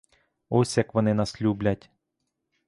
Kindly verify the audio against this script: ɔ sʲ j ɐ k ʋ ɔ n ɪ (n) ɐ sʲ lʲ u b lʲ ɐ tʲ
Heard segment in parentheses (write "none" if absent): n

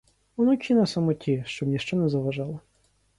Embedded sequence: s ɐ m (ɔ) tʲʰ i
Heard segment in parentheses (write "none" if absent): ɔ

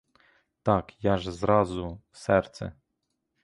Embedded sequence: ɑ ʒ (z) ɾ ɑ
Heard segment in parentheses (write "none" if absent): z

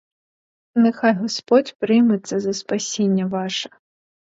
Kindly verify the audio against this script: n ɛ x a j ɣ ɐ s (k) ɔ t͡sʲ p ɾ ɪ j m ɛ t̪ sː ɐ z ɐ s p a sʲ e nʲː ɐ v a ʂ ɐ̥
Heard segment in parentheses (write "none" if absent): p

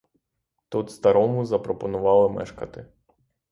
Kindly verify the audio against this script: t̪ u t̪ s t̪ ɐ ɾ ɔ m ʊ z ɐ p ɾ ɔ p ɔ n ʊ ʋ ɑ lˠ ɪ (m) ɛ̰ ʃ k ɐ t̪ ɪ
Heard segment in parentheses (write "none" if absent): m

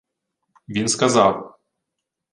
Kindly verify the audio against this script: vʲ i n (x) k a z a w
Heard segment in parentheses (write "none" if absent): s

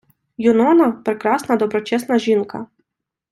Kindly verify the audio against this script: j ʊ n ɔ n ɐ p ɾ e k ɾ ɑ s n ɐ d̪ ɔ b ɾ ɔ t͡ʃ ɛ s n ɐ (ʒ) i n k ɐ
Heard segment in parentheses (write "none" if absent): ʒ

